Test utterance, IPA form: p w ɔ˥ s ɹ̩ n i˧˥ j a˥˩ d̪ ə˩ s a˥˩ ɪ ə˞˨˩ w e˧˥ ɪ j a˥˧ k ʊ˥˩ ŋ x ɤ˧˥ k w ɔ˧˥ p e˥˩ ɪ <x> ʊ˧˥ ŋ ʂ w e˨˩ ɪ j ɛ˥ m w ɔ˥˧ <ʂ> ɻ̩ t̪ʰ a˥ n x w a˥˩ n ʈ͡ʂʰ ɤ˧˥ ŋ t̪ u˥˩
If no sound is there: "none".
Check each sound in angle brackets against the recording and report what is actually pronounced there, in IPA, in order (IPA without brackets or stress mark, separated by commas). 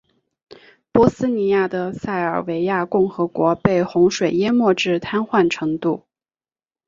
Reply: x, ʈ͡ʂ